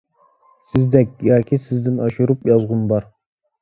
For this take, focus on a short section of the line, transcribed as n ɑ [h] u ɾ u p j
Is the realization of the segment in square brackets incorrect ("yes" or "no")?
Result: yes